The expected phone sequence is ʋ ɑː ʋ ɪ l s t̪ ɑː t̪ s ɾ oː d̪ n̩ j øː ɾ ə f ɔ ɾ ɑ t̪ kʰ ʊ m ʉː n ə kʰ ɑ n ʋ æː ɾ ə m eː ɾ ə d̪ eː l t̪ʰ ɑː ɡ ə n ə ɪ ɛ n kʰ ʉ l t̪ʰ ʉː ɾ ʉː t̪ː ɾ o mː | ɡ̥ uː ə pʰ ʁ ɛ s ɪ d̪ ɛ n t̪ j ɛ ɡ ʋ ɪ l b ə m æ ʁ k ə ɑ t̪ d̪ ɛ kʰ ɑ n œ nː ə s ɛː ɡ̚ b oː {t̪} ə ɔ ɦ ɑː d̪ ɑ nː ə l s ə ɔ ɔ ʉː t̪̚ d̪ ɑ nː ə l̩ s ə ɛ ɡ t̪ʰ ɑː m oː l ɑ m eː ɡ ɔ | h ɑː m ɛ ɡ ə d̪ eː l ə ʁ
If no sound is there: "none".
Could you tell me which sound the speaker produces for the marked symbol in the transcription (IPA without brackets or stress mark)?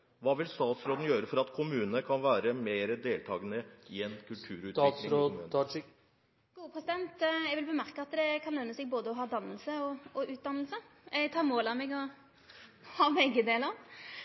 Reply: d̪